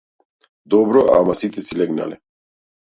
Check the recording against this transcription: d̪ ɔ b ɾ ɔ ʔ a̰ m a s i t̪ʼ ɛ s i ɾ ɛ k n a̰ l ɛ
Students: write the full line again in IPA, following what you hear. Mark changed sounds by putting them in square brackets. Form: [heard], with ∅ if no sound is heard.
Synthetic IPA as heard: d̪ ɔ b ɾ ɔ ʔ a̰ m a s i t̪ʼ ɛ s i [l] ɛ [ɡ] n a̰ l ɛ